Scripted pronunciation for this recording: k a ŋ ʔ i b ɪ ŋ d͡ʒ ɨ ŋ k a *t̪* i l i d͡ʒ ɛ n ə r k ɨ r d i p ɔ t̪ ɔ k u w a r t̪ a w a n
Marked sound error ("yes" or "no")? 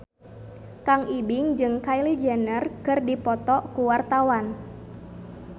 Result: yes